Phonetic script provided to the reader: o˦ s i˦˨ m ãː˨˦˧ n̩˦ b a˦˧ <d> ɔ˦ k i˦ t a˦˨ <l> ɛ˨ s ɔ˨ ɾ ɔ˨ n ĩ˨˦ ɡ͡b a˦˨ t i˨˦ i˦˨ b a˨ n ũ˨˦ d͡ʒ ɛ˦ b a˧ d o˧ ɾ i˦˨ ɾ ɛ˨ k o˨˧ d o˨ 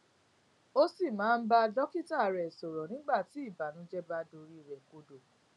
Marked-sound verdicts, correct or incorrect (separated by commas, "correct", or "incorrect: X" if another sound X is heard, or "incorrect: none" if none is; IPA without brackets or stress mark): correct, incorrect: ɾ